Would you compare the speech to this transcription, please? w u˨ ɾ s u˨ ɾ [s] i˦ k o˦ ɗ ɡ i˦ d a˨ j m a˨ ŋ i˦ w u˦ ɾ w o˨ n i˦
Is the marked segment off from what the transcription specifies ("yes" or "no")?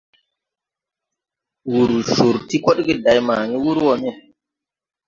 yes